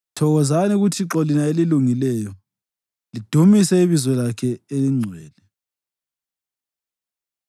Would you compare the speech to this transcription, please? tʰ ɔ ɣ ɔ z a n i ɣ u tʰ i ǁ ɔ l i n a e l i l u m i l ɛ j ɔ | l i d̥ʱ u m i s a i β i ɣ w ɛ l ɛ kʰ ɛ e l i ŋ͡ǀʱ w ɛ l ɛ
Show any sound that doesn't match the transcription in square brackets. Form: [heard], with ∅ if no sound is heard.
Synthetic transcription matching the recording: tʰ ɔ ɣ ɔ z a n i ɣ u tʰ i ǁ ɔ l i n a e l i l u [ŋ] i l ɛ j ɔ | l i d̥ʱ u m i s [ɛ] i β i [z] w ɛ l [a] kʰ ɛ e l i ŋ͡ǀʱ w [ɛː] l ɛ